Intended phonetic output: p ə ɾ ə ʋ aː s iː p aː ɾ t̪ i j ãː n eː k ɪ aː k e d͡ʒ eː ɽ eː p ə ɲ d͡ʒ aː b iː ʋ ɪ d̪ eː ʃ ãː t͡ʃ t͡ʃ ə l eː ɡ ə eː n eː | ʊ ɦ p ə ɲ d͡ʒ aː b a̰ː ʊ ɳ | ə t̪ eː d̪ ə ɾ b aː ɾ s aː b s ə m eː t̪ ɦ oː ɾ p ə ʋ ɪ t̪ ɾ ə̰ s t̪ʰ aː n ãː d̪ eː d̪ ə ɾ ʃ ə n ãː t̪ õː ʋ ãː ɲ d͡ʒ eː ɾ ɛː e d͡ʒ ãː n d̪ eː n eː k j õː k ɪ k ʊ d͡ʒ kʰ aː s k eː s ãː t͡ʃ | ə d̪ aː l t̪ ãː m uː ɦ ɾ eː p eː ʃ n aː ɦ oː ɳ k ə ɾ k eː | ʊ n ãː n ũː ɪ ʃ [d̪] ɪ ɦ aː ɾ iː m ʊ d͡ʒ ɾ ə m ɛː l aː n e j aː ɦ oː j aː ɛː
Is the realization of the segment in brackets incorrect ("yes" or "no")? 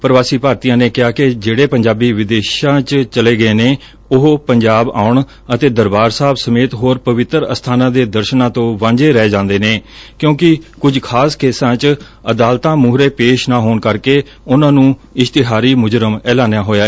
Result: yes